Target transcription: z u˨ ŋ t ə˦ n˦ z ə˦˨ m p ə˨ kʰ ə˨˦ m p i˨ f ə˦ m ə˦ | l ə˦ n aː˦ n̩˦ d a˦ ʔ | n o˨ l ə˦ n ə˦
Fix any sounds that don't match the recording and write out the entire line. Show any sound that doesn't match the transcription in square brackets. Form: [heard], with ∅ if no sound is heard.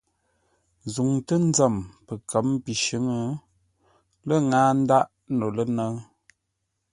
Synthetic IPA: z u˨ ŋ t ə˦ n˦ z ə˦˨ m p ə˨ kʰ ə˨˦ m p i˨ [ʃ] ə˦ [ŋ] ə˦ | l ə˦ [ŋ] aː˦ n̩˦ d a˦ ʔ | n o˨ l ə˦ n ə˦